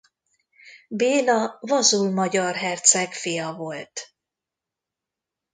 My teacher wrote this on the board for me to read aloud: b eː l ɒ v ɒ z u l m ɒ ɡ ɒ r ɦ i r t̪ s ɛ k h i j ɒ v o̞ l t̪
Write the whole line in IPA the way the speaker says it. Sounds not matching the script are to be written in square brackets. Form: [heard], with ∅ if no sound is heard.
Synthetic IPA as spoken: b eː l ɒ v ɒ z u l m ɒ [ɟ] ɒ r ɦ [ɛ] r t̪ s ɛ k [f] i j ɒ v o̞ l t̪